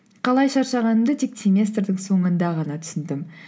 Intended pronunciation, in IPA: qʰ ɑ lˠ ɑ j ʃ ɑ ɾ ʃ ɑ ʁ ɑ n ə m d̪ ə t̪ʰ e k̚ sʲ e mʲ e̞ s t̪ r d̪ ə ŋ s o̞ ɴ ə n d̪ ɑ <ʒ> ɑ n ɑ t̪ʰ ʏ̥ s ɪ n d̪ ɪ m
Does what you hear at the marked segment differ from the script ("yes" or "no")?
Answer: yes